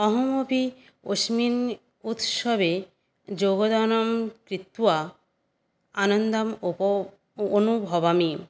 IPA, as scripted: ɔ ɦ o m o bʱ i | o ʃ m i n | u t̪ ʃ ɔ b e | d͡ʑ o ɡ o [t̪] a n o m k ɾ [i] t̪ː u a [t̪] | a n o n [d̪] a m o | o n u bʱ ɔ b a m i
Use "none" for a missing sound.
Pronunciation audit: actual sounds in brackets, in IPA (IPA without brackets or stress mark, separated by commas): d̪, i, none, d̪